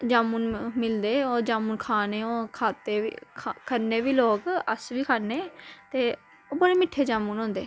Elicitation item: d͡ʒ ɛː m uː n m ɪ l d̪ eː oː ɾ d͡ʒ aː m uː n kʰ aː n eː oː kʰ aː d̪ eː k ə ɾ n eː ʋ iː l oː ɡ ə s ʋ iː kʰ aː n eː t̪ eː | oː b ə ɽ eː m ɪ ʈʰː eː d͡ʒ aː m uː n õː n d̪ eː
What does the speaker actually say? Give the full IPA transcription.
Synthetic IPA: d͡ʒ aː m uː n m ɪ l d̪ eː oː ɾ d͡ʒ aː m uː n kʰ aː n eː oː kʰ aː t̪ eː k ə ɾ n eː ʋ iː l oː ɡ ə s ʋ iː kʰ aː n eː t̪ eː | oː b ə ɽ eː m ɪ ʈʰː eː d͡ʒ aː m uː n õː n d̪ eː